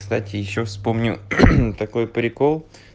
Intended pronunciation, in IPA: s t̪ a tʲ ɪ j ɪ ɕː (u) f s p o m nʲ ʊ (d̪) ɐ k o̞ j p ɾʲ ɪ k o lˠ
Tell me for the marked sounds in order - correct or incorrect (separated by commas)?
incorrect, incorrect